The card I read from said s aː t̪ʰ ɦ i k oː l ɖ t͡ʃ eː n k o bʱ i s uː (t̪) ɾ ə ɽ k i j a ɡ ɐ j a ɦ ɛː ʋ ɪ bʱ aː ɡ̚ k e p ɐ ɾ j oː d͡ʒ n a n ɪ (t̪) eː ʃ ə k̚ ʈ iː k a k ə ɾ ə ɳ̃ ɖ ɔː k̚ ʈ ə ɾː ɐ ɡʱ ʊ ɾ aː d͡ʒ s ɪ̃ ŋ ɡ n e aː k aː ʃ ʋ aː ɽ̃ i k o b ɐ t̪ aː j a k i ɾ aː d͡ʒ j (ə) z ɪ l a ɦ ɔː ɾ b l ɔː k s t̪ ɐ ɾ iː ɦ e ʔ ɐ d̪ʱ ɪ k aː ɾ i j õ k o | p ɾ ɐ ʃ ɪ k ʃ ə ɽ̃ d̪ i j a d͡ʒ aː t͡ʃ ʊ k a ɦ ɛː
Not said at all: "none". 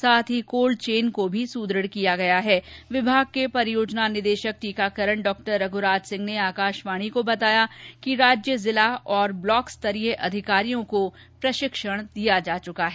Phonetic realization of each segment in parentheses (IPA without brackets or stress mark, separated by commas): d̪, d̪, ə